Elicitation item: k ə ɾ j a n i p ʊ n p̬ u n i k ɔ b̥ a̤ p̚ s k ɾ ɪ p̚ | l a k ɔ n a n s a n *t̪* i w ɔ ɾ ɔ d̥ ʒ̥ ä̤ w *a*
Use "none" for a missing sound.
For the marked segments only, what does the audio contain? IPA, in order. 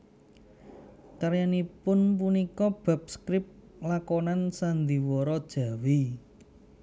d̪, i

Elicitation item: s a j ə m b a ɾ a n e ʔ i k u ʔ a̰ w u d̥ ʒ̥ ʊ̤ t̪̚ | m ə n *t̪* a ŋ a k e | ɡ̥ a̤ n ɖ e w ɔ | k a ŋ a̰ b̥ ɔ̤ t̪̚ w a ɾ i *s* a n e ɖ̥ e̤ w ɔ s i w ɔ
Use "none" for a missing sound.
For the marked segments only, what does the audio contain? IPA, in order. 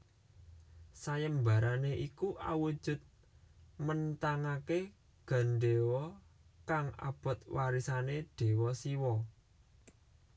t̪, s

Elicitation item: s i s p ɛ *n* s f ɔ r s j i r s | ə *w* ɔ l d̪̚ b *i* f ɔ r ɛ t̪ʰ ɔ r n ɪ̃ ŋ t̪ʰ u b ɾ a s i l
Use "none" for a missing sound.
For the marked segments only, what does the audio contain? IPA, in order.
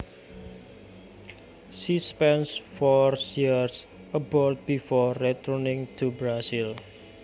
n, b, i

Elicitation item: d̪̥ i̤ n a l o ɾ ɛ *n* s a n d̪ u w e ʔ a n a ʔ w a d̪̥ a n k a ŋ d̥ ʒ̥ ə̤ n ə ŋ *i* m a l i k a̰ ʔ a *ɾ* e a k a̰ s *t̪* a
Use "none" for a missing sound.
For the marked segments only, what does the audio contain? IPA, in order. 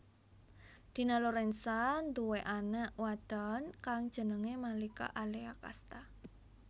n, e, l, t̪

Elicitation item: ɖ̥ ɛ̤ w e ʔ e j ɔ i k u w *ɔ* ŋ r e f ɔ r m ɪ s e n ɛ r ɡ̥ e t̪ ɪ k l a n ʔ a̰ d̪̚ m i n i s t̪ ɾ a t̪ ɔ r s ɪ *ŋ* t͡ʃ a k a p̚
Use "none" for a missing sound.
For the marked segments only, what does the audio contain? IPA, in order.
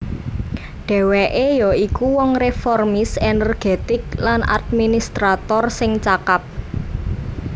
ɔ, ŋ

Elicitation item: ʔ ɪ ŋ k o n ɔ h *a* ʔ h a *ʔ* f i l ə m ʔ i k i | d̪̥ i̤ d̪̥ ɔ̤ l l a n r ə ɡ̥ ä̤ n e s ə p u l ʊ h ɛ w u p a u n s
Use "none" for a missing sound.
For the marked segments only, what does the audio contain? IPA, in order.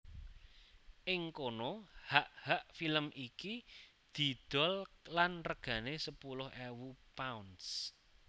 a, ʔ

